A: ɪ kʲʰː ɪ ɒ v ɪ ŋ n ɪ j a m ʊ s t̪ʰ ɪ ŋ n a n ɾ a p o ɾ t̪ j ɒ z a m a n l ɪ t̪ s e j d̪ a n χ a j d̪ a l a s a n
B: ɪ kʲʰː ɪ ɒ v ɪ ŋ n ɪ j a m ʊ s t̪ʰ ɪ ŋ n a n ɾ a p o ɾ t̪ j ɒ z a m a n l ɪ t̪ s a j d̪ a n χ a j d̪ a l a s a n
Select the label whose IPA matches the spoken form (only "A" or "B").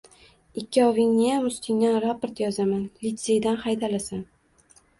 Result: A